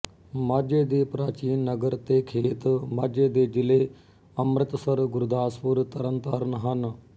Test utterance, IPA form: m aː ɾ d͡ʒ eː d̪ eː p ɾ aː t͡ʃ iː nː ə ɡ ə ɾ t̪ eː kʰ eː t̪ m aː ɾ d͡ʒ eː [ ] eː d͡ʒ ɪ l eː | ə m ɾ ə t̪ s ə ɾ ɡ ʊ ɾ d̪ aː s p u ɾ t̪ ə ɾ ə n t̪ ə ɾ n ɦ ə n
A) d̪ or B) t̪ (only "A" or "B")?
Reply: A